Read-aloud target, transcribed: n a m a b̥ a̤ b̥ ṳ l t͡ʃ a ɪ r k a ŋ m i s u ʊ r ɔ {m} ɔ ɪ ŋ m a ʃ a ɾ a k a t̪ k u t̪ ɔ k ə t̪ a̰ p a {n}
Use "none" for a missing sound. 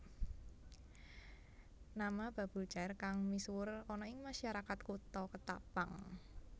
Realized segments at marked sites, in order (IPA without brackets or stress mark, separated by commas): n, ŋ